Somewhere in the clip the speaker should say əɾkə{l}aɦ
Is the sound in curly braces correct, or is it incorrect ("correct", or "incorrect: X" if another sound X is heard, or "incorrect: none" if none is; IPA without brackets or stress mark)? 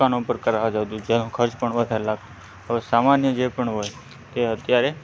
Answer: incorrect: ɾ